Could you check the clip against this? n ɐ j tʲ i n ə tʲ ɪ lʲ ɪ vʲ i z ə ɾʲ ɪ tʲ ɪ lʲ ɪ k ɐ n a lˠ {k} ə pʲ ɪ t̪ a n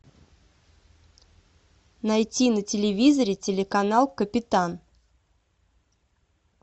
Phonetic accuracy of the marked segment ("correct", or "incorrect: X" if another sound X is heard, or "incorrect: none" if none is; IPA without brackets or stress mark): correct